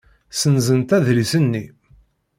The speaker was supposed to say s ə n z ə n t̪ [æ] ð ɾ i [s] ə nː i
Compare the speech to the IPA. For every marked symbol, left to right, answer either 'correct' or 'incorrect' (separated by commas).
correct, correct